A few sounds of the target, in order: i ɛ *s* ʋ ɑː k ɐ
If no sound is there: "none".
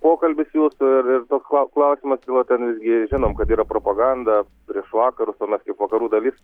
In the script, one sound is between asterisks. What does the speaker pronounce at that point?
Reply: ʃ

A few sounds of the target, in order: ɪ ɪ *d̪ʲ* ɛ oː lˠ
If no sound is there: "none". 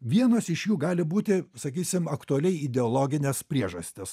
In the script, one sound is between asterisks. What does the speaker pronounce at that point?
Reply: d̪ʲ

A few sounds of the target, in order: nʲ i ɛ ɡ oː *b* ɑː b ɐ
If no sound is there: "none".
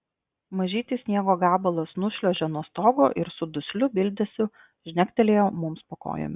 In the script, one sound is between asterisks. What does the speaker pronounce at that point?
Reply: ɡ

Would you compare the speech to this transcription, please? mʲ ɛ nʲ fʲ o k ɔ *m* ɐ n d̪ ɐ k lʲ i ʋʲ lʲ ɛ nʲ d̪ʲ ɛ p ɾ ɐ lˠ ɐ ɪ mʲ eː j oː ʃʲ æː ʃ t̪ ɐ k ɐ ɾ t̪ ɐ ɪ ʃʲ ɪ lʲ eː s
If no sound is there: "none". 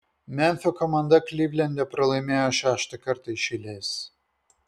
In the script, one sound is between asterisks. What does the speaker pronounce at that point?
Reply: m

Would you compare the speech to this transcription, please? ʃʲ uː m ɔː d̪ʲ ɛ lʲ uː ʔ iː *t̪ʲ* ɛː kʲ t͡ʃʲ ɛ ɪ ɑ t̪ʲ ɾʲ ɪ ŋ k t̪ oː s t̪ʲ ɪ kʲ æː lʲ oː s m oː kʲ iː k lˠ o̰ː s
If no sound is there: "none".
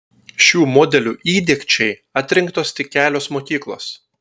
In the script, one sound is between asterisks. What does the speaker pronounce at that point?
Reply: d̪ʲ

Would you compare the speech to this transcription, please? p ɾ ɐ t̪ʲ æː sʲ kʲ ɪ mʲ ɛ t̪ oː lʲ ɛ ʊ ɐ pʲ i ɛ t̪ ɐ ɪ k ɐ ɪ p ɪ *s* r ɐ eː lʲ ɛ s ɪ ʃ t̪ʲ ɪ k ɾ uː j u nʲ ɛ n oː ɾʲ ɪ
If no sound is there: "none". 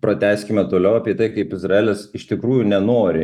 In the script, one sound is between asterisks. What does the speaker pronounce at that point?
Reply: z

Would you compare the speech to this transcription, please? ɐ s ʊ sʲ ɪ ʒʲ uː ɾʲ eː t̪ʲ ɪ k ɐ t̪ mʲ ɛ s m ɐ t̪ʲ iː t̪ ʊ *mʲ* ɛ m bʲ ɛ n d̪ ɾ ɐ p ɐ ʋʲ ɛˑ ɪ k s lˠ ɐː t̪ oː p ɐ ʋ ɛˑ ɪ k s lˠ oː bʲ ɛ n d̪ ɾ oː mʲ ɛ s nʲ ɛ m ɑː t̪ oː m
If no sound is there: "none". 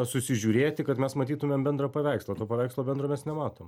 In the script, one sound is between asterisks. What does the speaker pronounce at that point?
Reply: mʲ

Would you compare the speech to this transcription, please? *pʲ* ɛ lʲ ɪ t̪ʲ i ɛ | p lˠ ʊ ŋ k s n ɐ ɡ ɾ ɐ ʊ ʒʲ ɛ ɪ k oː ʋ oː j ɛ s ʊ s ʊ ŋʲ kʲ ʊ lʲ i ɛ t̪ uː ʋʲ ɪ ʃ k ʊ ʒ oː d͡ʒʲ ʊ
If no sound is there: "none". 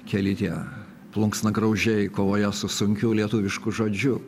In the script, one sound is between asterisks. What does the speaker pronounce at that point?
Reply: kʲ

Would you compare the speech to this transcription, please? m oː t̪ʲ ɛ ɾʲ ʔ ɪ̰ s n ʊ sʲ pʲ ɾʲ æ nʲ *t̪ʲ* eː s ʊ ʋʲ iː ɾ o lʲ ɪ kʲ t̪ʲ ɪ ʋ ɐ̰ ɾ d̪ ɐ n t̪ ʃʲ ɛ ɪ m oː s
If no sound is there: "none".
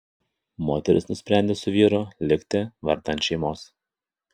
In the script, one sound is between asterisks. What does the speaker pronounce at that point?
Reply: d̪ʲ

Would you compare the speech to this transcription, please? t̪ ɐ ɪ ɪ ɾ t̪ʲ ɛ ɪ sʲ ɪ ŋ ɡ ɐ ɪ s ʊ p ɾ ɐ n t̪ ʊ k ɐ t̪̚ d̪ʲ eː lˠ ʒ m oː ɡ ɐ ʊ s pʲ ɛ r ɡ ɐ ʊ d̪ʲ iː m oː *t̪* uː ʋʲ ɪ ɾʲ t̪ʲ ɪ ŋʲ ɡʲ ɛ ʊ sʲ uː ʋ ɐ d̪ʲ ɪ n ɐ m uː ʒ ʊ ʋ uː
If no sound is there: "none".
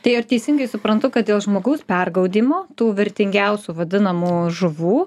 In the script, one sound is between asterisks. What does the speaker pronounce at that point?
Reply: t̪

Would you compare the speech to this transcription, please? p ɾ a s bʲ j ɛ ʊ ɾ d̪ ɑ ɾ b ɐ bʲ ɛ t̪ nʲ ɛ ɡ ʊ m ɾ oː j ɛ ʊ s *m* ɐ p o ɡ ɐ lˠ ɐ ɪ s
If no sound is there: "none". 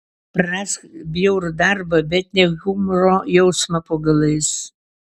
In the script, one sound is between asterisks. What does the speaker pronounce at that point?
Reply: m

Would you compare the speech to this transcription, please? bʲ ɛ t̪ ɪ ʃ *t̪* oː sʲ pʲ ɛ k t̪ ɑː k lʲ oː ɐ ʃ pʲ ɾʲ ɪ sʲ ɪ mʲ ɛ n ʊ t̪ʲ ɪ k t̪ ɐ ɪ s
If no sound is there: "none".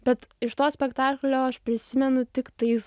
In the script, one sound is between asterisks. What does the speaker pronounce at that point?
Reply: t̪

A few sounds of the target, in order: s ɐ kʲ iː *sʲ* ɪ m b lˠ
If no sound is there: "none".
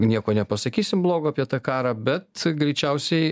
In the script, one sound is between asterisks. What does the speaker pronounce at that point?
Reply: sʲ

